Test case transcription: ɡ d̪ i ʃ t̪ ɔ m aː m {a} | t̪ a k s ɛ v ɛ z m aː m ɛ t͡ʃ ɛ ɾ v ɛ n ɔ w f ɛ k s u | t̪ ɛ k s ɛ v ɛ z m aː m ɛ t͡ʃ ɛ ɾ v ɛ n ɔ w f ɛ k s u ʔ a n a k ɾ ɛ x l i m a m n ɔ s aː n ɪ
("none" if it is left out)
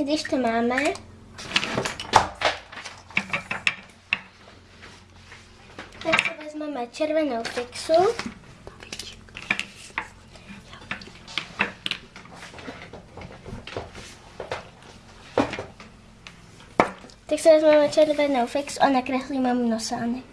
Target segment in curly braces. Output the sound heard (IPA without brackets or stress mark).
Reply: ɛ